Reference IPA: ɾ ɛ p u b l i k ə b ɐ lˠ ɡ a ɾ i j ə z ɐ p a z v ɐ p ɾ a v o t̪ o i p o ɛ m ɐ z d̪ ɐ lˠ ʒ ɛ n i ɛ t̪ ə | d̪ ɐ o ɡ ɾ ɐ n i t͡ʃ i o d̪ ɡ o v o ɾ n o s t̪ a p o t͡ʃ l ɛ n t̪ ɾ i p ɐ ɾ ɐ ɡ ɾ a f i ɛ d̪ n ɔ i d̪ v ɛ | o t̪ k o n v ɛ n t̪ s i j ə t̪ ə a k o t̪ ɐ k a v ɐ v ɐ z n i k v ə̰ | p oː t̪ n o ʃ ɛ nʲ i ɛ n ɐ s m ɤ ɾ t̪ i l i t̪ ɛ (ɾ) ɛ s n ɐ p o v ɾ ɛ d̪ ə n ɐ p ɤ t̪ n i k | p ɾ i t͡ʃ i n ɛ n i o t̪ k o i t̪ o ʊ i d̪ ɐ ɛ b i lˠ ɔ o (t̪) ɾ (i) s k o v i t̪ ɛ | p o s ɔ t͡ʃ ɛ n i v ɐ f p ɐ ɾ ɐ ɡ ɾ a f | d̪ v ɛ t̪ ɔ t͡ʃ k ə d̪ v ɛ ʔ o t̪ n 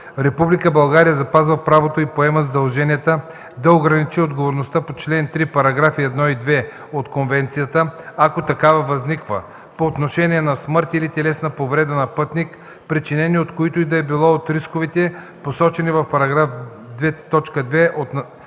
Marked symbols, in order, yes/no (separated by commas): no, yes, yes